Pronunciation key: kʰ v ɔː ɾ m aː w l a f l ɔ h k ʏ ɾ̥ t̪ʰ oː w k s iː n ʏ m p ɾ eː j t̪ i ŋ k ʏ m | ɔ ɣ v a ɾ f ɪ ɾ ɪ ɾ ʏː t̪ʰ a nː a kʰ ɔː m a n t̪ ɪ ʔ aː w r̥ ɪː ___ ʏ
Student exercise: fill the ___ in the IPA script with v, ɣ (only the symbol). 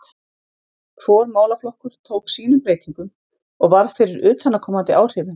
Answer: v